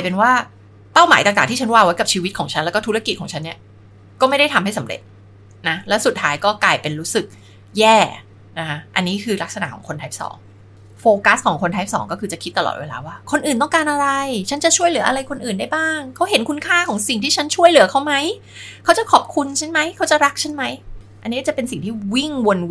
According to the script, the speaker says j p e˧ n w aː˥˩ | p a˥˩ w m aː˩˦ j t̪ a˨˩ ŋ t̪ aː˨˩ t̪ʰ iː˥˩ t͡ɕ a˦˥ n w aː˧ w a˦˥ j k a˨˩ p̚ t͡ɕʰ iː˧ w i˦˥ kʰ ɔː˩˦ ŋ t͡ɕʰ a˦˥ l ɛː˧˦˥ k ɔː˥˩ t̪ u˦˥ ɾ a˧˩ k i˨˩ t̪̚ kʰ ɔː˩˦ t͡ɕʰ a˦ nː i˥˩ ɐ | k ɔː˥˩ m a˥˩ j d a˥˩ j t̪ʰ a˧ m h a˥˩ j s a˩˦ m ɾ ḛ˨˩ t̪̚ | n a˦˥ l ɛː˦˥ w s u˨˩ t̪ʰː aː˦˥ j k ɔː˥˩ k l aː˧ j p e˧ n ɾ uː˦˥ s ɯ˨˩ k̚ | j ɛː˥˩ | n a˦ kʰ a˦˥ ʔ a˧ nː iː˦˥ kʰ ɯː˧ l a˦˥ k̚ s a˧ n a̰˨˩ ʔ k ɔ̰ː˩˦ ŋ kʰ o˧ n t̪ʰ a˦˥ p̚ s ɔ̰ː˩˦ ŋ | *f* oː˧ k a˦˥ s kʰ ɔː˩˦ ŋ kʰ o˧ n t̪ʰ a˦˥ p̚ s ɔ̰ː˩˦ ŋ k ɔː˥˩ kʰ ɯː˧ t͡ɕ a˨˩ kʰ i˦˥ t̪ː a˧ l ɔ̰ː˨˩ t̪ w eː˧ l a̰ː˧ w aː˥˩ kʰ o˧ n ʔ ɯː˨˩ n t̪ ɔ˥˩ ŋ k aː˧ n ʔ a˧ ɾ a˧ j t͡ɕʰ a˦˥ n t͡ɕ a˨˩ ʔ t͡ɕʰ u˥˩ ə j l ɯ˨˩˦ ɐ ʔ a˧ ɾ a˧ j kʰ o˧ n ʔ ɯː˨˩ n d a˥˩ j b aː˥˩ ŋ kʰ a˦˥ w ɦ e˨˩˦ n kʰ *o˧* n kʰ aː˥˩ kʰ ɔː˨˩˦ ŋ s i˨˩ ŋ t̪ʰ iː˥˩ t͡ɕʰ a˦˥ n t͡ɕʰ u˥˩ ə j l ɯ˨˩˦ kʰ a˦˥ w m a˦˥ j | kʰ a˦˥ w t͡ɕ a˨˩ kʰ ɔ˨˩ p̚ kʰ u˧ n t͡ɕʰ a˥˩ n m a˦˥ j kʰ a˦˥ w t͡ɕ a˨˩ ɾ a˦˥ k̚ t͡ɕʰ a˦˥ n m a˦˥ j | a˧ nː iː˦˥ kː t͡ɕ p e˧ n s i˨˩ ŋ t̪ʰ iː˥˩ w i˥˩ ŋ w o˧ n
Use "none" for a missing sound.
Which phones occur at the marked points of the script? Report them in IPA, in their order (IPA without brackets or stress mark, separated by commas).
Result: f, u˧